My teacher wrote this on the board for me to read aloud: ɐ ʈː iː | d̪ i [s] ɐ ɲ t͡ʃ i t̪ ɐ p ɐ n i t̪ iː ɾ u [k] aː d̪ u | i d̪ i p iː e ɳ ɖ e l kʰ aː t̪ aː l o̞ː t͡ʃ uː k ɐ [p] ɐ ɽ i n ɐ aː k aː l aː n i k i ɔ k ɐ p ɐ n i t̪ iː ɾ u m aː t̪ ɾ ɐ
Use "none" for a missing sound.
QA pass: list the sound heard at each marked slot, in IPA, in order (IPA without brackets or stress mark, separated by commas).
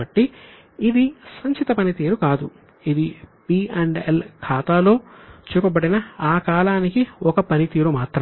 s, k, b